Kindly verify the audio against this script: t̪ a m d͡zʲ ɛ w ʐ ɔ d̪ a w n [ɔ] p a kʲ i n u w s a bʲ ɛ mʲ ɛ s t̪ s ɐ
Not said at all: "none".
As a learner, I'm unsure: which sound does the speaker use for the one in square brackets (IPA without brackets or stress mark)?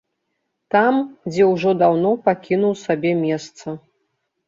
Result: ɔ